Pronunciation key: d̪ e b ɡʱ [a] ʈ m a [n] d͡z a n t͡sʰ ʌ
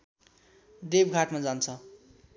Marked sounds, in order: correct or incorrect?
correct, incorrect

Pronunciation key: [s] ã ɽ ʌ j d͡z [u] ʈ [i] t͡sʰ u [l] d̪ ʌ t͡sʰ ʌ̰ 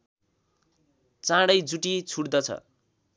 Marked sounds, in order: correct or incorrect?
incorrect, correct, correct, incorrect

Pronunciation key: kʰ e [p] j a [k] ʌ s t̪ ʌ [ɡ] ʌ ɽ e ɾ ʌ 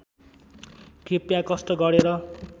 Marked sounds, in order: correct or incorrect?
correct, correct, correct

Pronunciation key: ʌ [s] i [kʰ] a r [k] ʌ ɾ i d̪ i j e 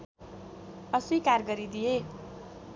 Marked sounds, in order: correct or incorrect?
correct, incorrect, incorrect

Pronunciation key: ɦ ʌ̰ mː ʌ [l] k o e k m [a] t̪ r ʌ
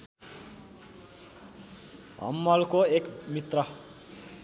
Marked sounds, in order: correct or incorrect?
correct, incorrect

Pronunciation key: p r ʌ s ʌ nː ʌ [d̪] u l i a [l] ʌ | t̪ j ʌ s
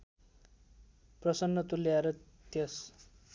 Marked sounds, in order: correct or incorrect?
incorrect, incorrect

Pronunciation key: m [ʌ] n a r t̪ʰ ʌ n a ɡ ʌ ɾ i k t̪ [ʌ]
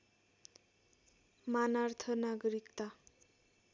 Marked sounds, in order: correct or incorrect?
incorrect, incorrect

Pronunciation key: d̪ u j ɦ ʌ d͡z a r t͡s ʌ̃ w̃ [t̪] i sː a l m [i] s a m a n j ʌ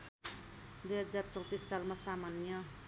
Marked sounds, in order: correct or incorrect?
correct, incorrect

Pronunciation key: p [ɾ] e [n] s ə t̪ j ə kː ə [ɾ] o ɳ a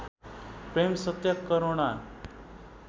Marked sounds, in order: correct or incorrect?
correct, incorrect, correct

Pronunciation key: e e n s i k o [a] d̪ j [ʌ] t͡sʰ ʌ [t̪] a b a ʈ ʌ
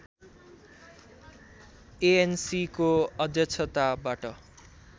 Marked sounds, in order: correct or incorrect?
incorrect, correct, correct

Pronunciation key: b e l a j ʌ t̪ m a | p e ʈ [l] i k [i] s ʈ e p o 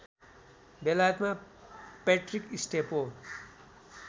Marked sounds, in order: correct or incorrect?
incorrect, correct

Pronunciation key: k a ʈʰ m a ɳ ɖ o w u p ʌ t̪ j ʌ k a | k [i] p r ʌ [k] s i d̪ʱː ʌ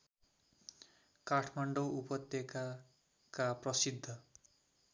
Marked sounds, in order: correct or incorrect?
incorrect, incorrect

